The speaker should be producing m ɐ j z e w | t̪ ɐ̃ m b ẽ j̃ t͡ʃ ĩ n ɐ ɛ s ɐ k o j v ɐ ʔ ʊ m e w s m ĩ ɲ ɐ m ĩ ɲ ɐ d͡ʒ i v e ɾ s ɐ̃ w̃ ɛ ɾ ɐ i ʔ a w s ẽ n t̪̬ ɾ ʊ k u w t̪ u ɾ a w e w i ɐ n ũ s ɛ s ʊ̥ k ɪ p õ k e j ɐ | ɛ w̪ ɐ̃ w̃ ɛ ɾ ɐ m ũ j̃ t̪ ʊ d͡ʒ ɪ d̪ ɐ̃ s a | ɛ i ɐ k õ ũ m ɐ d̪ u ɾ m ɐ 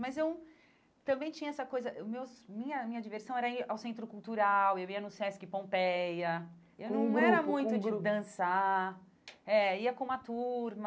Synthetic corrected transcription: m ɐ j z e w | t̪ ɐ̃ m b ẽ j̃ t͡ʃ ĩ ɲ ɐ ɛ s ɐ k o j z ɐ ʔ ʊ m e w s m ĩ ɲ ɐ m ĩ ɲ ɐ d͡ʒ i v e ɾ s ɐ̃ w̃ ɛ ɾ ɐ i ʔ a w s ẽ n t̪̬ ɾ ʊ k u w t̪ u ɾ a w e w i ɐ n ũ s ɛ s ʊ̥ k ɪ p õ p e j ɐ | e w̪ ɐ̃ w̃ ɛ ɾ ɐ m ũ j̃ t̪ ʊ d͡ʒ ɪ d̪ ɐ̃ s a | ɛ i ɐ k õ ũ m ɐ t̪ u ɾ m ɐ

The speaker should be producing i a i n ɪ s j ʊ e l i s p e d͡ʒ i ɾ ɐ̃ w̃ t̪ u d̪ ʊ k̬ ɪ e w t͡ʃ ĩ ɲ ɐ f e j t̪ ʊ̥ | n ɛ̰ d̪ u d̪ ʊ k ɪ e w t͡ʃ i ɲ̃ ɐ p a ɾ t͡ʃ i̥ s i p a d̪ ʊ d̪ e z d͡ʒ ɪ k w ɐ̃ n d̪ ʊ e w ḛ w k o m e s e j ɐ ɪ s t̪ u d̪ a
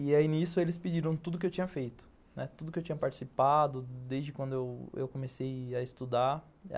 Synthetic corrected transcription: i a i n i s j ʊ e l ɪ s p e d͡ʒ i ɾ ɐ̃ w̃ t̪ u d̪ ʊ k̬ ɪ e w t͡ʃ ĩ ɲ ɐ f e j t̪ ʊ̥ | n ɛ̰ t̪ u d̪ ʊ k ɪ e w t͡ʃ i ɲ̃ ɐ p a ɾ t͡ʃ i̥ s i p a d̪ ʊ d̪ e z d͡ʒ ɪ k w ɐ̃ n d̪ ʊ e w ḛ w k o m e s e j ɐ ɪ s t̪ u d̪ a

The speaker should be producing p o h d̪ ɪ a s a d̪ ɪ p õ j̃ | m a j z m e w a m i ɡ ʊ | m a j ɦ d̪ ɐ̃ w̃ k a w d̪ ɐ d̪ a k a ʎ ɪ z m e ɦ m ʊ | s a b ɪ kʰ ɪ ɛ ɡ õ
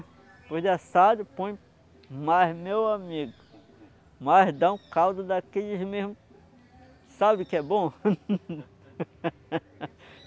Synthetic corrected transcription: p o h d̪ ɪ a s a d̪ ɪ p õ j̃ | m a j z m e w a m i ɡ ʊ | m a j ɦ d̪ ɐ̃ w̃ k a w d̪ ɐ d̪ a k e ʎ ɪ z m e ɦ m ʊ | s a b ɪ k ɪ ɛ b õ

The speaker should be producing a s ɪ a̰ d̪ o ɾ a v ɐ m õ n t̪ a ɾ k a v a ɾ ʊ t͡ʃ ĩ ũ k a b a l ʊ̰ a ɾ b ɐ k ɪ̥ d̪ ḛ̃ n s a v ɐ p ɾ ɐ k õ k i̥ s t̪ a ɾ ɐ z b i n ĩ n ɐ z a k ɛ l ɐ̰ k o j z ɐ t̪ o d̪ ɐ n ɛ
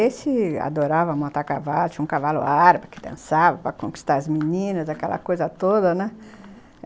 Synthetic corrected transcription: e s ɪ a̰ d̪ o ɾ a v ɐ m õ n t̪ a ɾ k a v a l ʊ t͡ʃ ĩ ũ k a v a l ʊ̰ a ɾ b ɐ k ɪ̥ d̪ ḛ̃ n s a v ɐ p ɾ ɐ k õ k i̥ s t̪ a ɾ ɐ z m i n ĩ n ɐ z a k ɛ l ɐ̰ k o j z ɐ t̪ o d̪ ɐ n ɛ

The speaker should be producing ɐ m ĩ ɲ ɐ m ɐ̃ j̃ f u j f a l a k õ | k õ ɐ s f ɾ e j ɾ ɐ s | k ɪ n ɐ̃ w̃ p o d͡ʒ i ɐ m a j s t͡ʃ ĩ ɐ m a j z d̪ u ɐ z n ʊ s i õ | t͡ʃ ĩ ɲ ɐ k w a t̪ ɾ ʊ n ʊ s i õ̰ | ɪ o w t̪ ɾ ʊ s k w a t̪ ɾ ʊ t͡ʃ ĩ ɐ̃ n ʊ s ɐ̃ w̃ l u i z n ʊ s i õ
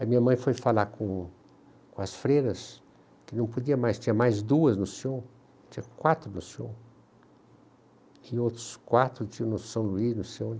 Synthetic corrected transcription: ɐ m ĩ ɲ ɐ m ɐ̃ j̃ f o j f a l a k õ | k õ ɐ s f ɾ e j ɾ ɐ s | k ɪ n ɐ̃ w̃ p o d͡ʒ i ɐ m a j s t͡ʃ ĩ ɐ m a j z d̪ u ɐ z n ʊ s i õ | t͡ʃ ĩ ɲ ɐ k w a t̪ ɾ ʊ n ʊ s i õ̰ | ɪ o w t̪ ɾ ʊ s k w a t̪ ɾ ʊ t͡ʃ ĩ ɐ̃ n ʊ s ɐ̃ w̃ l u i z n ʊ s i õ

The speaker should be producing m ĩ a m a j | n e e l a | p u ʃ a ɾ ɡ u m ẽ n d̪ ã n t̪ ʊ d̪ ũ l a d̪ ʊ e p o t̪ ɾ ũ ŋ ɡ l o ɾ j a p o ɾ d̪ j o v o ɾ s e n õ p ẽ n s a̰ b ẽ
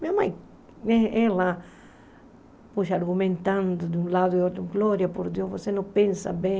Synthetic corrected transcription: m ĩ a m a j | n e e l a | p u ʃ a ɾ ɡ u m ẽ n t̪ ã n d̪ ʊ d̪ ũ l a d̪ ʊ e o t̪ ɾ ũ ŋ ɡ l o ɾ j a p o ɾ d̪ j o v o s e n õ p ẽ n s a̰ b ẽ

